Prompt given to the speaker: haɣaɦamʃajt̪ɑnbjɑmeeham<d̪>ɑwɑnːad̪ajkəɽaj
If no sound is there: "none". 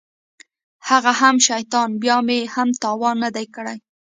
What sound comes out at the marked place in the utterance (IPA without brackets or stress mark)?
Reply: t̪